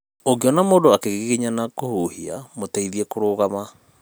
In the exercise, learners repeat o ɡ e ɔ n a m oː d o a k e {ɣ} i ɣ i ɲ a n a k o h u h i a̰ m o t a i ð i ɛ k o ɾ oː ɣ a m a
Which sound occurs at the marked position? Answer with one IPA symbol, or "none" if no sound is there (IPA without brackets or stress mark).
ɣ